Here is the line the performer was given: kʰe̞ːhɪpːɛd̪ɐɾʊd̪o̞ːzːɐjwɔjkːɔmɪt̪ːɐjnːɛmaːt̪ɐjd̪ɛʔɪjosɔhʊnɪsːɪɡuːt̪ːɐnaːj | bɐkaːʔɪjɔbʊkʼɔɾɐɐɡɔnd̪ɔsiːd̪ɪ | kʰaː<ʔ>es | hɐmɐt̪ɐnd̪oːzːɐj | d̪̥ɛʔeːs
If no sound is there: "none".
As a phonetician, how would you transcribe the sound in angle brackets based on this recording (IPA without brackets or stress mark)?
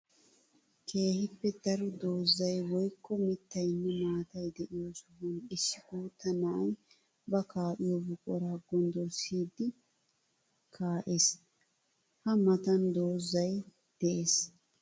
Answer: ʔ